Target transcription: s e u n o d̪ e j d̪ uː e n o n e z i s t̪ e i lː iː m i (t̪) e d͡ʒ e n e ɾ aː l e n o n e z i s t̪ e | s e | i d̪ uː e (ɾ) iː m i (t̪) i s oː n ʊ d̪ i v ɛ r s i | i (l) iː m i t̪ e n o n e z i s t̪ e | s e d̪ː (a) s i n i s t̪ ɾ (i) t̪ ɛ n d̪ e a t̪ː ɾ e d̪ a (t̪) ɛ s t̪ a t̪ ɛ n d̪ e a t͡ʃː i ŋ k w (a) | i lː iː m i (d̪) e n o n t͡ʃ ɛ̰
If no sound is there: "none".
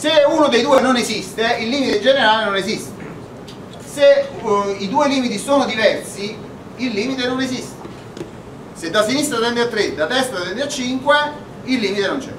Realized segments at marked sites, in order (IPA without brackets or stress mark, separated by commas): t̪, l, t̪, lː, a, a, t̪, e, t̪